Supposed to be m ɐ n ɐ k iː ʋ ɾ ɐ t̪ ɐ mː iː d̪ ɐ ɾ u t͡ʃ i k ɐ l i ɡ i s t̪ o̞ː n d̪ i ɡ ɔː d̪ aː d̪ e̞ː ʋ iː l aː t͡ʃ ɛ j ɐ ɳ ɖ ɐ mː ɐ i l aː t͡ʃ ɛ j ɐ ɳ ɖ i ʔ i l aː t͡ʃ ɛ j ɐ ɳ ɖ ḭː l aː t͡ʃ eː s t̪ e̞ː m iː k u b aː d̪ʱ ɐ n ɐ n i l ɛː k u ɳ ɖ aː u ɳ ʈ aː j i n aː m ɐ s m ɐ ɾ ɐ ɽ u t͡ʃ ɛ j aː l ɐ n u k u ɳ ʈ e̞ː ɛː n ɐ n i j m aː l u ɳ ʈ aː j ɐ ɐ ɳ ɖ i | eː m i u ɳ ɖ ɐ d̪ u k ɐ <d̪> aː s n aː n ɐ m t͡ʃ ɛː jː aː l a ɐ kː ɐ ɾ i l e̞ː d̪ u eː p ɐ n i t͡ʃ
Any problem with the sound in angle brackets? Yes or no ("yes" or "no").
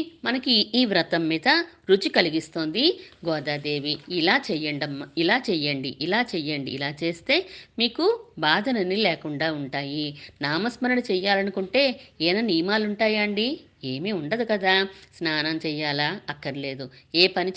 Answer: no